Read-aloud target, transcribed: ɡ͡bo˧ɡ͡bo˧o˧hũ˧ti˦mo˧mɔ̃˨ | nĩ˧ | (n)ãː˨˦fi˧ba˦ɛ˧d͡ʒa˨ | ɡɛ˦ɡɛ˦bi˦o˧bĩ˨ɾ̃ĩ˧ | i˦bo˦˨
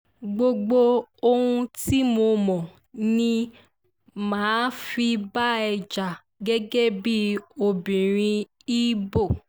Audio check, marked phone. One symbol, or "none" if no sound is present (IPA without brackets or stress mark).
m